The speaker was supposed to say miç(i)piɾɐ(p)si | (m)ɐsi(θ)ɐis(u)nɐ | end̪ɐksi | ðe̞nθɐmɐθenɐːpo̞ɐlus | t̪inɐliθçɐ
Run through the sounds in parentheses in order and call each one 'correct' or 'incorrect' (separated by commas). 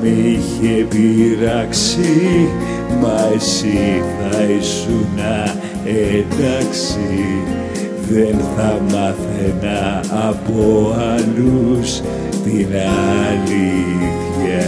incorrect, incorrect, correct, correct, correct